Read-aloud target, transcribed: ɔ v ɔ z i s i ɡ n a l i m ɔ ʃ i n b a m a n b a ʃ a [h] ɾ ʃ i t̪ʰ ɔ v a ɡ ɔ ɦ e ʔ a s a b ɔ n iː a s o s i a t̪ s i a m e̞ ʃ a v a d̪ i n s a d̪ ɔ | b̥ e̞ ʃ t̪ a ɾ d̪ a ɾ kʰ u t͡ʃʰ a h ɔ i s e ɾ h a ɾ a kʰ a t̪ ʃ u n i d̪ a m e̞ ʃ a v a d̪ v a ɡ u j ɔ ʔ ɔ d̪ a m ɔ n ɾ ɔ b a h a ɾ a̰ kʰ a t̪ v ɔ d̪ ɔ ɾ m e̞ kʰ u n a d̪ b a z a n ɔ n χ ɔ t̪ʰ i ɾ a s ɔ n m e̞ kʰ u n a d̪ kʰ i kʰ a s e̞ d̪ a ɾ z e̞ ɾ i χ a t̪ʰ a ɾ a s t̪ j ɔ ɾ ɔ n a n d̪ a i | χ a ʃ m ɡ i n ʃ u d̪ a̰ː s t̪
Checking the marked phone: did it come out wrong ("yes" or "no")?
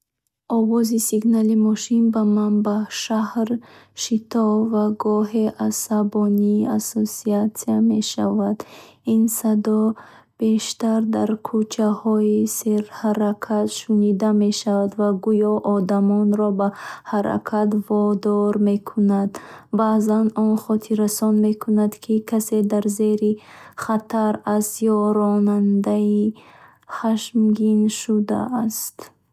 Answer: no